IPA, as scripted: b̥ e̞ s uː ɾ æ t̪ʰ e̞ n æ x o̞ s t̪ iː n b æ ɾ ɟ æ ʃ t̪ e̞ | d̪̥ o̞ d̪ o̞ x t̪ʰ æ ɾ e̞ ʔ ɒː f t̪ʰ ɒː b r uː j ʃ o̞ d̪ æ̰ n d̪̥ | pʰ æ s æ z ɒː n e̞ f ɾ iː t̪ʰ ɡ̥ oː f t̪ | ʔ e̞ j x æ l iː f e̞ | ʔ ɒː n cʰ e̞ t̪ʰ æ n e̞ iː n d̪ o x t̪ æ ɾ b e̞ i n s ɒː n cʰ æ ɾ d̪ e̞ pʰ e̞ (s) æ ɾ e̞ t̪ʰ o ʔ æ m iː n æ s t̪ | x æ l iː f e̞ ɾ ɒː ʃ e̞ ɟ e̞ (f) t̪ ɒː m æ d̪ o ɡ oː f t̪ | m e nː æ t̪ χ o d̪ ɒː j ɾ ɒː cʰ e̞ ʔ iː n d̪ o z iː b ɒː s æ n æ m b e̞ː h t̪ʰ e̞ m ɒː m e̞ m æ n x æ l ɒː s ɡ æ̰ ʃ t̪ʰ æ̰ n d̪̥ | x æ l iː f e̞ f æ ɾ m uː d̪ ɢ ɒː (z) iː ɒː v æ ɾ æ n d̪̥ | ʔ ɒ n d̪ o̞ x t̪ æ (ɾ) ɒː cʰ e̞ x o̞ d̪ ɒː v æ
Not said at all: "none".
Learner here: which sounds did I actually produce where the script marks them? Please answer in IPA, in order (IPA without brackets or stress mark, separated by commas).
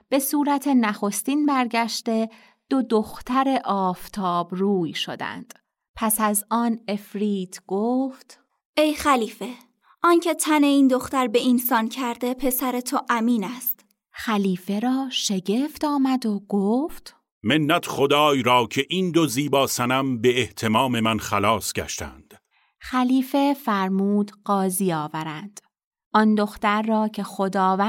s, f, z, ɾː